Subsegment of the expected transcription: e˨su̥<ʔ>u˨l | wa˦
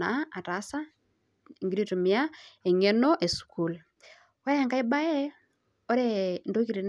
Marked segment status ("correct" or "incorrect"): incorrect